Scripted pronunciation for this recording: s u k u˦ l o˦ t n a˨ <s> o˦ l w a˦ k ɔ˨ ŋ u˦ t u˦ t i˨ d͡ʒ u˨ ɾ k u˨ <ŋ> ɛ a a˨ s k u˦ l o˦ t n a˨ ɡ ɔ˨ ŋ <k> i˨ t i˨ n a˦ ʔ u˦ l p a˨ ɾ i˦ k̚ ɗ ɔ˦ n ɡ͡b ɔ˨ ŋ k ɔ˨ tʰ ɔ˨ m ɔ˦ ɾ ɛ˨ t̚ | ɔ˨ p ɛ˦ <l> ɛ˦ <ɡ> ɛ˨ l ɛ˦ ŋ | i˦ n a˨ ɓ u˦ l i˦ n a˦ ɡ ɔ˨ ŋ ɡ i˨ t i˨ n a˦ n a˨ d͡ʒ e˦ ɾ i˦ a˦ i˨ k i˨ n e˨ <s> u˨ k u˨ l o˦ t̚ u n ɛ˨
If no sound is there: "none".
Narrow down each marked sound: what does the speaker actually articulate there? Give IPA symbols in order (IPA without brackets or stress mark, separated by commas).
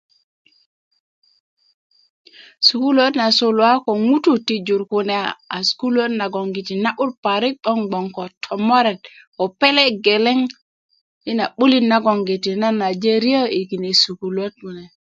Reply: s, n, ɡ, l, ɡ, s